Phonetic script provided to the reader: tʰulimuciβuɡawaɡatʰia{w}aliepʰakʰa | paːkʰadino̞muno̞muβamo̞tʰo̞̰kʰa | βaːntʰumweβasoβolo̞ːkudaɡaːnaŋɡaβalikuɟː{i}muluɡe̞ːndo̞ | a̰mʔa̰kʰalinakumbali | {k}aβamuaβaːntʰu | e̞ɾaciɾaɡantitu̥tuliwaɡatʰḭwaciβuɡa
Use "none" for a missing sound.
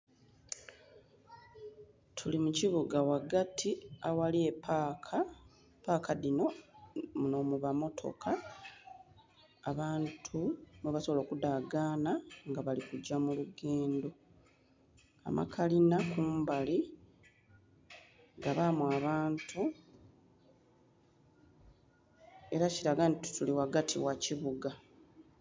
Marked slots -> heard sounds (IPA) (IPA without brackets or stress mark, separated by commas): w, a, ɡ